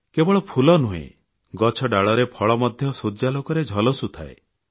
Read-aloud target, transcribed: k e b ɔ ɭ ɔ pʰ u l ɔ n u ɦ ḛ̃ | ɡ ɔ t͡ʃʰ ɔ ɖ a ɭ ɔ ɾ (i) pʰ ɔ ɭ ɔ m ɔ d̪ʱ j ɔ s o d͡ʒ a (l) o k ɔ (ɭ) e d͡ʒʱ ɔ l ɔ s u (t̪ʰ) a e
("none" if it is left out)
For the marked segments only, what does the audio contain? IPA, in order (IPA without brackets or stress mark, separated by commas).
e, l, ɾ, t̪ʰ